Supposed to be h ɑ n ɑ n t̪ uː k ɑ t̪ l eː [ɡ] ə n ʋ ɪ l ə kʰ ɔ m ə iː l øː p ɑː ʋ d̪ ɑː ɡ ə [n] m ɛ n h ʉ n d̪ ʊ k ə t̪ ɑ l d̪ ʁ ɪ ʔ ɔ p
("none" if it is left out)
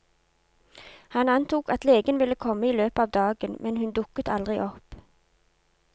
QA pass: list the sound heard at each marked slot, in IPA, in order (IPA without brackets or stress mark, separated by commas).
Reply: ɡ, n